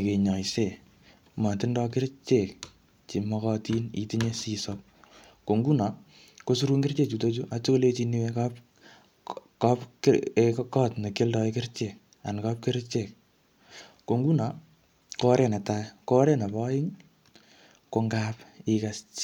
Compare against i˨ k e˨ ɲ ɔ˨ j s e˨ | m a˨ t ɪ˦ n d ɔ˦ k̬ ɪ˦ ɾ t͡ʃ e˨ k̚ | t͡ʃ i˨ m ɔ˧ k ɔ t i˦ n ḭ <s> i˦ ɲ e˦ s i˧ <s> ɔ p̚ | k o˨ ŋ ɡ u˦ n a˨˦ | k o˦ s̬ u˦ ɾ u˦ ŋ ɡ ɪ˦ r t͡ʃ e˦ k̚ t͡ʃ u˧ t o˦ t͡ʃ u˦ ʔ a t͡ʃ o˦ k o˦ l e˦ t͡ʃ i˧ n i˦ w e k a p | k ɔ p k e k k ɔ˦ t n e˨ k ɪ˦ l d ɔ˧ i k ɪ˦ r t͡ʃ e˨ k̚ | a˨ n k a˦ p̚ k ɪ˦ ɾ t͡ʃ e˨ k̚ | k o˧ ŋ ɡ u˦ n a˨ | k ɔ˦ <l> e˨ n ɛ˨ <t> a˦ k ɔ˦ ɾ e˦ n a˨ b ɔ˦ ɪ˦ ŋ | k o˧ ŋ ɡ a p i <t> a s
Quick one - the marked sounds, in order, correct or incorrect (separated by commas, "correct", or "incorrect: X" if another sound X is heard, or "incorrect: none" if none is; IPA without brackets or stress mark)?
incorrect: t, correct, incorrect: ɾ, correct, incorrect: k